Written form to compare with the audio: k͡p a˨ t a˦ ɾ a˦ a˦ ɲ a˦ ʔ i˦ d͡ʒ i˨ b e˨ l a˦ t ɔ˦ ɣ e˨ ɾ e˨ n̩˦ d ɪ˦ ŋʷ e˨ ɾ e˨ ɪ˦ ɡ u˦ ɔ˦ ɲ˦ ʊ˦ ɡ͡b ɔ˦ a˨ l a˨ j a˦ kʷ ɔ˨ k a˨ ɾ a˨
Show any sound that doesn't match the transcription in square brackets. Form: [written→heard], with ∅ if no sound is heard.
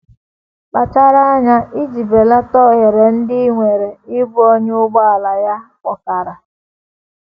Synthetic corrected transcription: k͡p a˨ [t→t͡ʃ] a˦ ɾ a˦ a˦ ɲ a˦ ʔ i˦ d͡ʒ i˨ b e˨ l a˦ t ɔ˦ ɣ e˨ ɾ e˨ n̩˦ d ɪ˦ ŋʷ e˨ ɾ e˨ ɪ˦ [ɡ→b] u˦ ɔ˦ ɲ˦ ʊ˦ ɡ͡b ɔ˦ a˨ l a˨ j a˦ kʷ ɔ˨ k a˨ ɾ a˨

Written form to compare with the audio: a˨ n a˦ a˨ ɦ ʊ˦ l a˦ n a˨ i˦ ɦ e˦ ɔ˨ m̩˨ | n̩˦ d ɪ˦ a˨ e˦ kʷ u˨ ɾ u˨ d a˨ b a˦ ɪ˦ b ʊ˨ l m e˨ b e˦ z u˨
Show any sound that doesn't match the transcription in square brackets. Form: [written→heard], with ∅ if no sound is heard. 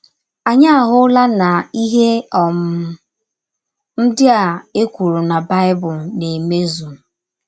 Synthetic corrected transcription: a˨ [n→ɲ] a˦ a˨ ɦ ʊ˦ l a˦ n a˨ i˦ ɦ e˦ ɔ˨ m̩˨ | n̩˦ d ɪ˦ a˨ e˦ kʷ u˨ ɾ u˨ [d→n] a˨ b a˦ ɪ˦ b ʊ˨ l [m→n] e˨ [b→m] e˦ z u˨

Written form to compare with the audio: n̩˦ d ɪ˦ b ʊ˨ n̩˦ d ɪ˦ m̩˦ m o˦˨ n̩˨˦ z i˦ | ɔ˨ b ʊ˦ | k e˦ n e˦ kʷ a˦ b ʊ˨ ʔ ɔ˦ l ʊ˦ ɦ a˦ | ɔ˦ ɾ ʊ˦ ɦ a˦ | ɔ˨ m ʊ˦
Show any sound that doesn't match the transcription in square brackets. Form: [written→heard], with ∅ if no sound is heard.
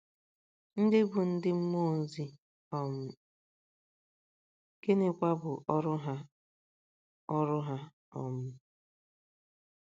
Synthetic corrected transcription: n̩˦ d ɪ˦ b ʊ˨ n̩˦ d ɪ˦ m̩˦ m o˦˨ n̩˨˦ z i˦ | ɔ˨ [b→m] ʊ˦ | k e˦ n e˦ kʷ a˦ b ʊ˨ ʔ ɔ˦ [l→ɾ] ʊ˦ ɦ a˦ | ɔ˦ ɾ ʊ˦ ɦ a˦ | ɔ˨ m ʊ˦

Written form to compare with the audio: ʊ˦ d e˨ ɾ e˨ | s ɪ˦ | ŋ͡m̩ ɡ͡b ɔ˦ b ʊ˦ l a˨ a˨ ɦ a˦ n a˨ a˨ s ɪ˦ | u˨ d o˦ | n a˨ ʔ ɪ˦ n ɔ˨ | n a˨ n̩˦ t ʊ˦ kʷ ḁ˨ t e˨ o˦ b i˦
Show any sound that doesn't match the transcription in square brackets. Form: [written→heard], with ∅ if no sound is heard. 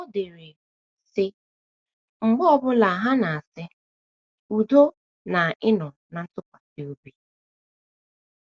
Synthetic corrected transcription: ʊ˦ d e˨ ɾ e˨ | s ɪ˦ | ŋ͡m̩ ɡ͡b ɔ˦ b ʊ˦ l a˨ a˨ ɦ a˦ n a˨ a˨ s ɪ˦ | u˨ d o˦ | n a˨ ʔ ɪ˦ n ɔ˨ | n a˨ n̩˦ t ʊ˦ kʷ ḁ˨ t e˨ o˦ b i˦

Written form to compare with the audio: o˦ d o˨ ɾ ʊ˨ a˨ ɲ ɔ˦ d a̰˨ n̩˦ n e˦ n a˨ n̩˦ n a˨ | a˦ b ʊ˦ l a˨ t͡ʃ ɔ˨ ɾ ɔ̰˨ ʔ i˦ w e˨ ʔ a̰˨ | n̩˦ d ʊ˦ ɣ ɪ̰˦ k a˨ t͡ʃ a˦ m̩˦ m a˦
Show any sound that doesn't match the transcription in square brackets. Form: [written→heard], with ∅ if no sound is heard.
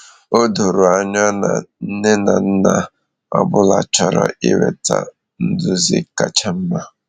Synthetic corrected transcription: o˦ d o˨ ɾ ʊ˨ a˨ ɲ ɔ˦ [d→n] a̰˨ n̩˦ n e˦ n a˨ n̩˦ n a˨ | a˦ b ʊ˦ l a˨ t͡ʃ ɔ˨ ɾ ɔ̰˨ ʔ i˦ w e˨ [ʔ→t] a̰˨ | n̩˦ d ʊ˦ [ɣ→z] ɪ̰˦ k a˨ t͡ʃ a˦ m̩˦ m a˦

